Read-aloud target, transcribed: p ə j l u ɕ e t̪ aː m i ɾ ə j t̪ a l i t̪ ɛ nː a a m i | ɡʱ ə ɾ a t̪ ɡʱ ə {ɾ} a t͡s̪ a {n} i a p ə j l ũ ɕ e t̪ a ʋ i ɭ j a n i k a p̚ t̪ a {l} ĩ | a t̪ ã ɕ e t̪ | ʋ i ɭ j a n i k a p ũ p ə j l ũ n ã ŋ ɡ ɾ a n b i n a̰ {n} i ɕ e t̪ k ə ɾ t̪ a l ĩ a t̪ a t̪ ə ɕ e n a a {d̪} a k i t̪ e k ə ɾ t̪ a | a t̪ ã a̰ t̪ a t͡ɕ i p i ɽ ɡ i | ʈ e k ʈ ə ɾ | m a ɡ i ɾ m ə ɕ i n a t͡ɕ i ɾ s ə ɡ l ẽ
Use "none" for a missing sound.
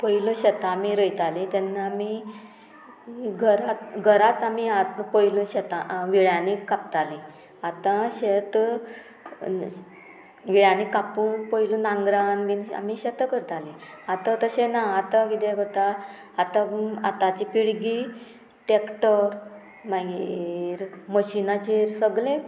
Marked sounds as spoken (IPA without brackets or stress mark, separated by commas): ɾ, m, l, m, t̪